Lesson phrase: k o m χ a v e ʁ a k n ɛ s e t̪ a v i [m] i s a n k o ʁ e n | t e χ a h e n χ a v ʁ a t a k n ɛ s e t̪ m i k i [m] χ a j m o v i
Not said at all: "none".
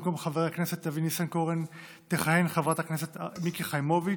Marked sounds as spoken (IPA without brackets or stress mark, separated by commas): n, none